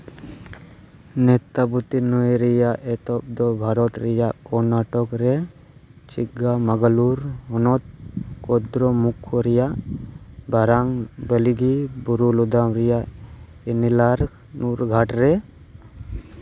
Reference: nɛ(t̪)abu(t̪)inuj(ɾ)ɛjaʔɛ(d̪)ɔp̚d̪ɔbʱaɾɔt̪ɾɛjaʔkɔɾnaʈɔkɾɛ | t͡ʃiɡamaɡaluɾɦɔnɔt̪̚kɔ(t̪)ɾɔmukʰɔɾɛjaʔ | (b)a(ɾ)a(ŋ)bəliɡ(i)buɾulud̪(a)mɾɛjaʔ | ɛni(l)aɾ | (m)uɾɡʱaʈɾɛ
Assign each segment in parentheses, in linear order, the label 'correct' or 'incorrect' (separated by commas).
correct, correct, correct, incorrect, incorrect, correct, correct, correct, correct, correct, correct, incorrect